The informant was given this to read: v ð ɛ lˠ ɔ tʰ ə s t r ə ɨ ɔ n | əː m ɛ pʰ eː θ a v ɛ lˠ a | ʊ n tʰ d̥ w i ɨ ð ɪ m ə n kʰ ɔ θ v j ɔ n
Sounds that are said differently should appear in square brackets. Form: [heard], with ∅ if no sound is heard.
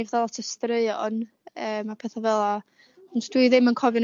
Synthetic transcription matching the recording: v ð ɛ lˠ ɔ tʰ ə s t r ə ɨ ɔ n | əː m [a] pʰ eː θ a v ɛ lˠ a | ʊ n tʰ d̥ w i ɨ ð ɪ m ə n kʰ ɔ [∅] v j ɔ n